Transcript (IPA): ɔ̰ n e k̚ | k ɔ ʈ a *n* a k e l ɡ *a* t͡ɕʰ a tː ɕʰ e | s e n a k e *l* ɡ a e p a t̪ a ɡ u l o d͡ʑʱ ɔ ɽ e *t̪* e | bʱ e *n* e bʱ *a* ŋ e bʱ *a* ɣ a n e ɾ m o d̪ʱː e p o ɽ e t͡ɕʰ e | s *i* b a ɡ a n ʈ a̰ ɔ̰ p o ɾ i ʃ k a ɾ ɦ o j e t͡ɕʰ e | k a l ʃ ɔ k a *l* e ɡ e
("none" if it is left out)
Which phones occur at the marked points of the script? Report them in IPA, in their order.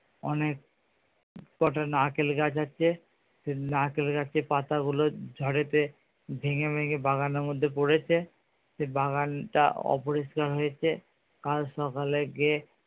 n, a, l, t̪, ŋ, e, a, e, l

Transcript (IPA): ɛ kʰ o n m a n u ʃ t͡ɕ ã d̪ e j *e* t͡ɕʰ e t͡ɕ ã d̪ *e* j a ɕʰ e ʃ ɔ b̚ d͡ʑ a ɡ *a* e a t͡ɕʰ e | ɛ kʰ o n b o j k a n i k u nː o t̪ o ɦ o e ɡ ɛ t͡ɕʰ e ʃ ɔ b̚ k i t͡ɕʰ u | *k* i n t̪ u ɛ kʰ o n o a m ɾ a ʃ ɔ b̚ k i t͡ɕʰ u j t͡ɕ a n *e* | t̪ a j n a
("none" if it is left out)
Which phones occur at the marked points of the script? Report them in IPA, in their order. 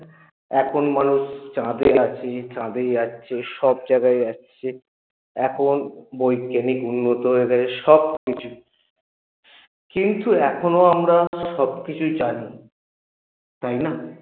a, e, a, k, i

